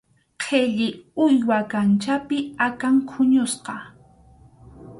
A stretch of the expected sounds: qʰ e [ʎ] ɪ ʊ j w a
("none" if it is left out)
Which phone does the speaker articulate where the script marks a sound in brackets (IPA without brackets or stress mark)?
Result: ʎ